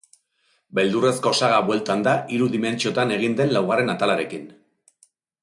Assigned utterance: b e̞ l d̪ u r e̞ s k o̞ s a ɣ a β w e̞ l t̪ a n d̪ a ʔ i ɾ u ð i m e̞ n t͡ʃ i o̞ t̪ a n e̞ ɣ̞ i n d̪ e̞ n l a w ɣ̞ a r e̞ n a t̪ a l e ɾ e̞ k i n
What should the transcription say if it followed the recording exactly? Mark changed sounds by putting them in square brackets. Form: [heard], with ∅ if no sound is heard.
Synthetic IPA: b e̞ l d̪ u r e̞ s k o̞ s a ɣ a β w e̞ l t̪ a n d̪ a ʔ i ɾ u ð i m e̞ n t͡ʃ i o̞ t̪ a n e̞ ɣ̞ i n d̪ e̞ n l a w ɣ̞ a r e̞ n a t̪ a l [a] ɾ e̞ k i n